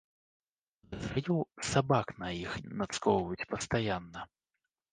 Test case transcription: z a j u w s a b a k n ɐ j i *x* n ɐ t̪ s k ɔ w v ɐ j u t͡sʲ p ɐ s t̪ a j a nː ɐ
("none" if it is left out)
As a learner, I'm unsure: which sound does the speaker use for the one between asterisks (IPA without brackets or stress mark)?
x